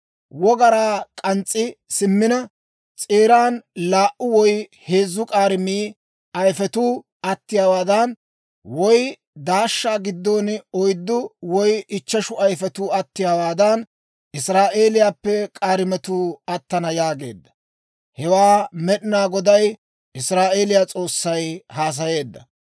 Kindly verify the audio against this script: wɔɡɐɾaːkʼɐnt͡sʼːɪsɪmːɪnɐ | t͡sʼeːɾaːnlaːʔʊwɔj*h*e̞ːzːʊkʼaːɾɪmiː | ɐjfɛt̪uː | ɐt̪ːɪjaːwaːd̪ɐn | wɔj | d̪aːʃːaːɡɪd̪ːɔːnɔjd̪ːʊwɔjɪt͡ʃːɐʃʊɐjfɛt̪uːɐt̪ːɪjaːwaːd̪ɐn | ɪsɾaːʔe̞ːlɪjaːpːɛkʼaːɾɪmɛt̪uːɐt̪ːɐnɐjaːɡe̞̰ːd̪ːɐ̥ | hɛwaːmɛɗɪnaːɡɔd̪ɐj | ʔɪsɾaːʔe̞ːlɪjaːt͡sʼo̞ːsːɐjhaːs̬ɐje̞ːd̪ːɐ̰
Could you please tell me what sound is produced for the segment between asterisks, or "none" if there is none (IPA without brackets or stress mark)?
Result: h